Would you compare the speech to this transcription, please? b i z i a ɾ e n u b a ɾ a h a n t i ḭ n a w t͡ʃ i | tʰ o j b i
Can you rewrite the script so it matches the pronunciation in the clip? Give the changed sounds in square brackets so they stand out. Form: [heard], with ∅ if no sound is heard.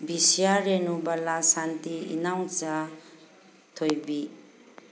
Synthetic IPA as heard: b i [s] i a ɾ e n u b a [l] a [s] a n t i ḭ n a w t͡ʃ [a] | tʰ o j b i